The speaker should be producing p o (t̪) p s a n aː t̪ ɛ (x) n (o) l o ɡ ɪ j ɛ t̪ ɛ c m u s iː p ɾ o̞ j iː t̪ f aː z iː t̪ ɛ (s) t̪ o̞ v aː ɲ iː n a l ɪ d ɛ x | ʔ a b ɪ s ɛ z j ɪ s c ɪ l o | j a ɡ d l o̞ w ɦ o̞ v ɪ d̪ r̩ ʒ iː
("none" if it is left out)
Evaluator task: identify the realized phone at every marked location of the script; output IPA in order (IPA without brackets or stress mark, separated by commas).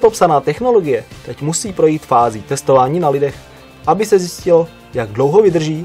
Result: none, x, o, s